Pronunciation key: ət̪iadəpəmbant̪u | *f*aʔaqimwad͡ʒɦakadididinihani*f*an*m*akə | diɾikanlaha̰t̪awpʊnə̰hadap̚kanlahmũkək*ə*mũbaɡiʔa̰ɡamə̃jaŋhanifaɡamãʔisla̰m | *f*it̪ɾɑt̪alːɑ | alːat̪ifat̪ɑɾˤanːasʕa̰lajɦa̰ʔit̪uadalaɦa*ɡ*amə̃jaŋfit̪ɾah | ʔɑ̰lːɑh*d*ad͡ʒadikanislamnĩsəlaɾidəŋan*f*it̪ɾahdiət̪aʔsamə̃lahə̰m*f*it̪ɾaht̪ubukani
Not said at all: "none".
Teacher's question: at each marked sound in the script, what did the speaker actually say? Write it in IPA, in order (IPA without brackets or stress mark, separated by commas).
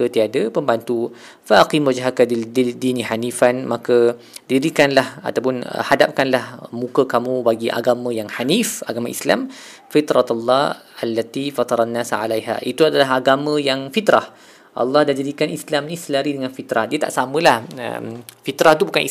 f, f, m, a, f, ɡ, d, f, f